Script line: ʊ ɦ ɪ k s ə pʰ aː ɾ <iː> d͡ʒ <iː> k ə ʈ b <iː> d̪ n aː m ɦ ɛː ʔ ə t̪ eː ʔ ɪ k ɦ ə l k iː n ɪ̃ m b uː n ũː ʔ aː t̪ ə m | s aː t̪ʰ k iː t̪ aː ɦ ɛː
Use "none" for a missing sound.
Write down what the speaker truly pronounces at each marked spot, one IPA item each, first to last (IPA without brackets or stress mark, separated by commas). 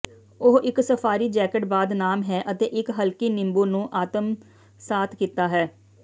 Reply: iː, ɛː, aː